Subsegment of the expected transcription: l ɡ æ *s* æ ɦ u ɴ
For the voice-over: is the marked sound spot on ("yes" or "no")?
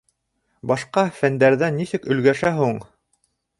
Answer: no